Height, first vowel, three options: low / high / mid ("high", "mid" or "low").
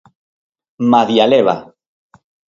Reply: low